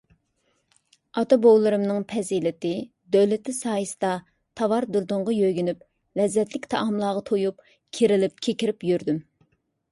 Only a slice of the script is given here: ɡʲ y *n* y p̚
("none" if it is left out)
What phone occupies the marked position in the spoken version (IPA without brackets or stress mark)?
n